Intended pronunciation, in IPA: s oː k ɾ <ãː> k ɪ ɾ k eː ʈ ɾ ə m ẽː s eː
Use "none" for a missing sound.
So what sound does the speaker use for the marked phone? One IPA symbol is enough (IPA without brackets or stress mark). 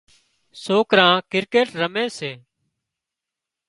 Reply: ãː